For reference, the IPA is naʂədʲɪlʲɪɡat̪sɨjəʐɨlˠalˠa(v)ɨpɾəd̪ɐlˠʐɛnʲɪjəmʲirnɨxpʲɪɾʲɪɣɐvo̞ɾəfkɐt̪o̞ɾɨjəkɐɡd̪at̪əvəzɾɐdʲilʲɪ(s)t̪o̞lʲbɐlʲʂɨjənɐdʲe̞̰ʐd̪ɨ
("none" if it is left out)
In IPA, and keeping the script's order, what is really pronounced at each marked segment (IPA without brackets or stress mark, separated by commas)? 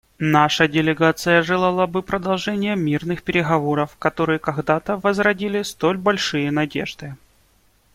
b, s